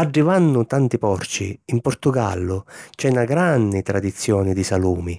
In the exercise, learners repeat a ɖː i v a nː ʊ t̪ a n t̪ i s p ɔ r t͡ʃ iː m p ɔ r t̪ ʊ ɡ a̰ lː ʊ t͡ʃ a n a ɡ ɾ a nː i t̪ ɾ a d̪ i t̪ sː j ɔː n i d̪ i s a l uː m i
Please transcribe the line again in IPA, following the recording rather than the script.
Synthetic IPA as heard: a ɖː i v a nː ʊ t̪ a n t̪ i p ɔ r t͡ʃ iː m p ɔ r t̪ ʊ ɡ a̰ lː ʊ t͡ʃ ɛ n a ɡ ɾ a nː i t̪ ɾ a d̪ i t̪ sː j ɔː n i d̪ i s a l uː m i

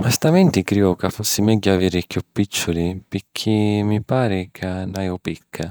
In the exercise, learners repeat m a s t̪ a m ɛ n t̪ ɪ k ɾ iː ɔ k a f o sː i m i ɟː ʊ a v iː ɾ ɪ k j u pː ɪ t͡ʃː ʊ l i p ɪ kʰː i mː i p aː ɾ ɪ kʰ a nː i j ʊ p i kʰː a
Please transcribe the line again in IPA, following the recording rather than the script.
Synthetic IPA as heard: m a s t̪ a m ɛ n t̪ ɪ k ɾ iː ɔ k a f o sː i m ɛ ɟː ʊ a v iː ɾ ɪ k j u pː i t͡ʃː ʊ l i p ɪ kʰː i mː i p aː ɾ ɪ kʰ a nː a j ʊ p i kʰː a

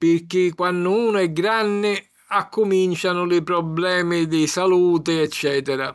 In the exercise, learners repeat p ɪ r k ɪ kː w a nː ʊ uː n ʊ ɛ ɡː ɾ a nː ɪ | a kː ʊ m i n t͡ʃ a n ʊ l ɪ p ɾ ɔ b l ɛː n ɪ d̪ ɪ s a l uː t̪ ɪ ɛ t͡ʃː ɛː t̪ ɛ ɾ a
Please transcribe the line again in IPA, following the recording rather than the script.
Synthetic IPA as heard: p ɪ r k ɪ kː w a nː ʊ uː n ʊ ɛ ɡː ɾ a nː ɪ | a kː ʊ m i n t͡ʃ a n ʊ l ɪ p ɾ ɔ b l ɛː m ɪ d̪ ɪ s a l uː t̪ ɪ ɛ t͡ʃː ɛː t̪ ɛ ɾ a

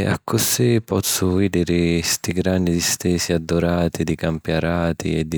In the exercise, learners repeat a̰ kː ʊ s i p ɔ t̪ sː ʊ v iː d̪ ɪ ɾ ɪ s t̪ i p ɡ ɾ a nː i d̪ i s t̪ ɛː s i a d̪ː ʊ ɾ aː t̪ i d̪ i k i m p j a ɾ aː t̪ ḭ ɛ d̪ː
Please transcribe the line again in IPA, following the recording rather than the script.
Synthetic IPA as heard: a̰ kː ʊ s i p ɔ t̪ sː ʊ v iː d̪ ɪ ɾ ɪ s t̪ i ɡ ɾ a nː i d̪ i s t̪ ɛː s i a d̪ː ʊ ɾ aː t̪ i d̪ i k a m p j a ɾ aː t̪ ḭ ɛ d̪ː

